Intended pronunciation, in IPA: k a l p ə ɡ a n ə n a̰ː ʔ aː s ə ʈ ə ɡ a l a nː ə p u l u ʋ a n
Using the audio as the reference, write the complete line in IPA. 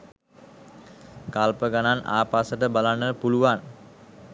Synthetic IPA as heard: k a l p ə ɡ a n a n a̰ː p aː s ə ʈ ə b a l a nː ə p u l u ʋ a n